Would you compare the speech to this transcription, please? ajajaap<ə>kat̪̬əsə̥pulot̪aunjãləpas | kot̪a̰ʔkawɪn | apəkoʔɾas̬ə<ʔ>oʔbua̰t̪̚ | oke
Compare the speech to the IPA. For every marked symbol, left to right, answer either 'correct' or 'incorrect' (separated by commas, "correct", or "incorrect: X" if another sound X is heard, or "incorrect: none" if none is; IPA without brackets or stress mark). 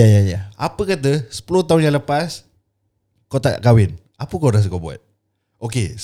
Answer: correct, incorrect: k